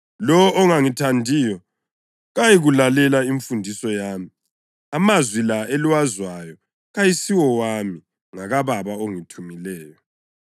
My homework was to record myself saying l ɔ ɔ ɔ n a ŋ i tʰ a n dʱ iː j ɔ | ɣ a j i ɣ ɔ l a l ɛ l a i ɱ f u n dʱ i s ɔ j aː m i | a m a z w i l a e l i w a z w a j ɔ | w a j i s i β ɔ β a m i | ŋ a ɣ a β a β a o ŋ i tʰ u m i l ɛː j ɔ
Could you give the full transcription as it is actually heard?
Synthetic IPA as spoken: l ɔ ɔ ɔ ŋ a ŋ i tʰ a n dʱ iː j ɔ | ɣ a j i ɣ u l a l ɛ l a i ɱ f u n dʱ i s ɔ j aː m i | a m a z w i l a e l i w a z w a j ɔ | ɣ a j i s i w ɔ w a m i | ŋ a ɣ a β a β a o ŋ i tʰ u m i l ɛː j ɔ